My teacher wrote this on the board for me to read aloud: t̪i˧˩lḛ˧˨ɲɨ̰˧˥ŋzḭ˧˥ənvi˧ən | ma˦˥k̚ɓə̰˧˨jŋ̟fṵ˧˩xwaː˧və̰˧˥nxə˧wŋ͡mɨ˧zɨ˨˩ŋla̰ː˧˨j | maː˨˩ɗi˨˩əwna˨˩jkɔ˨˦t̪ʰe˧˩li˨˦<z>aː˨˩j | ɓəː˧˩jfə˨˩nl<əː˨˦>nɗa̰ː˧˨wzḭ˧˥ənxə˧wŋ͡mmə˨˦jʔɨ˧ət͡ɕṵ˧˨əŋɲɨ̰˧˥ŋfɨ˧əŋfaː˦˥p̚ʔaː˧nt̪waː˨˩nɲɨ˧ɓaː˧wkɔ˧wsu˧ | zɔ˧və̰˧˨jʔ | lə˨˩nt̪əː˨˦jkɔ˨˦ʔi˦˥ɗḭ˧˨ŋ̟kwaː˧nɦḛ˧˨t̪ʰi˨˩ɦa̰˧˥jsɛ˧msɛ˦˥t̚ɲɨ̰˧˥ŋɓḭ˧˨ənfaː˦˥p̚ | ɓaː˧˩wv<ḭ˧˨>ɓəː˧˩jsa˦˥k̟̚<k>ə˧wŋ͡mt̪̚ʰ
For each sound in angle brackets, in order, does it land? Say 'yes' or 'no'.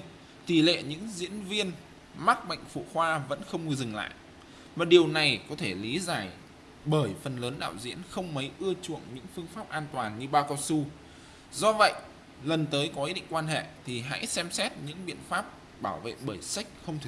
yes, yes, no, no

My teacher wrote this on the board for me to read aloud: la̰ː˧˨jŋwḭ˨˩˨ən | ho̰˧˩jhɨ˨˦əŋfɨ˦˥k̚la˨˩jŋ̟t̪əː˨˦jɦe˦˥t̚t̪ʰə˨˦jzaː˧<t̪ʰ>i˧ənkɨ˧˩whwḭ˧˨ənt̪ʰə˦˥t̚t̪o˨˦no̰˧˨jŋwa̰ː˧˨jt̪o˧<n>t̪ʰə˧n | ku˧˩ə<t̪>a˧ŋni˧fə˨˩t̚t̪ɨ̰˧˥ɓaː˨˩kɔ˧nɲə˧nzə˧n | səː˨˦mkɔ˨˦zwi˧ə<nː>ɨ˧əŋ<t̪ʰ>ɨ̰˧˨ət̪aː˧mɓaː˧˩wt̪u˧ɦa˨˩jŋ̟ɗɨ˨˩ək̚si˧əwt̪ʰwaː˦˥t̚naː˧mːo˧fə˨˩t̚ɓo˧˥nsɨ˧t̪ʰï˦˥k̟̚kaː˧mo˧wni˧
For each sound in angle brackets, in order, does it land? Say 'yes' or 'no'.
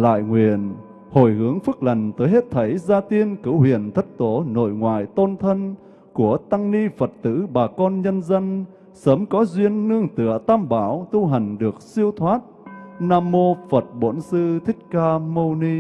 no, yes, yes, yes, no

